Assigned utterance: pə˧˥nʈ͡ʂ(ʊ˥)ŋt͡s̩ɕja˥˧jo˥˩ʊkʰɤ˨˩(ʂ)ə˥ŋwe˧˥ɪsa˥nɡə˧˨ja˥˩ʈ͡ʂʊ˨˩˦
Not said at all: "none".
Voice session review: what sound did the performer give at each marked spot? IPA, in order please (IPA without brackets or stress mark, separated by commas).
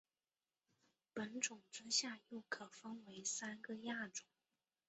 ʊ˨˩, f